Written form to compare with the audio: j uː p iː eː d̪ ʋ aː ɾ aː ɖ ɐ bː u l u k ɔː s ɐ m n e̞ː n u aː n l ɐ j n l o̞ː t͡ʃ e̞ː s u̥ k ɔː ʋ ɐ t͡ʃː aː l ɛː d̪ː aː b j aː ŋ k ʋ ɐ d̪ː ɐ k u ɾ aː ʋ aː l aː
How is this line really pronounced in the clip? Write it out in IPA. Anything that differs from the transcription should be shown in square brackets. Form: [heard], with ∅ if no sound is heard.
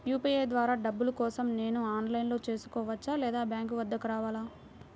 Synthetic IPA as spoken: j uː p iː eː d̪ ʋ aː ɾ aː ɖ ɐ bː u l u k ɔː s ɐ m n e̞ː n u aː n l ɐ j n l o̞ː t͡ʃ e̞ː s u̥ k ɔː ʋ ɐ t͡ʃː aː l ɛː [d̪] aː b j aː ŋ k ʋ ɐ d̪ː ɐ k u ɾ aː ʋ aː l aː